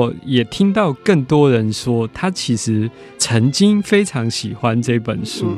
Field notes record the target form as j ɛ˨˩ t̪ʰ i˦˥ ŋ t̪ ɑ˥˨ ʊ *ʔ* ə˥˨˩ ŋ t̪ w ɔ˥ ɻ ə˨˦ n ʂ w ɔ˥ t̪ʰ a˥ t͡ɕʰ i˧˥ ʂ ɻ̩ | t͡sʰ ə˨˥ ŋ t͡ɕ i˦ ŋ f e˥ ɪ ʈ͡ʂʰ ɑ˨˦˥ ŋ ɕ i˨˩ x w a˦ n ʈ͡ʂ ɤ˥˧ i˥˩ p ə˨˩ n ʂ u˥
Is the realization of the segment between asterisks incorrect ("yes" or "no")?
yes